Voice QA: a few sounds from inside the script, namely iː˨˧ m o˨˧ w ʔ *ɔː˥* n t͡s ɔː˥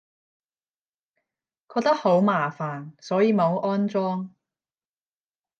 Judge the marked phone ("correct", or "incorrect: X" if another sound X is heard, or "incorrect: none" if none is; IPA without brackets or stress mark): correct